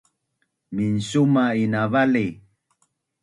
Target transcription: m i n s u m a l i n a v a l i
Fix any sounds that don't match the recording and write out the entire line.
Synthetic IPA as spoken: m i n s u m a i n a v a l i